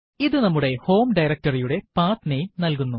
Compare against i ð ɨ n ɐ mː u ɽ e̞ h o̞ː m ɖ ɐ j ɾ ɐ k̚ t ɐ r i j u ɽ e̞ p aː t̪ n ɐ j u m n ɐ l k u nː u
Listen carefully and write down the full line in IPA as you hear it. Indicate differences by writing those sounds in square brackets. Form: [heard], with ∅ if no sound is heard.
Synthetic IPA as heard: i ð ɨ n ɐ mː u ɽ e̞ h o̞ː m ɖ ɐ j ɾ ɐ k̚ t ɐ r i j u ɽ e̞ p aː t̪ n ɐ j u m n ɐ l k u nː u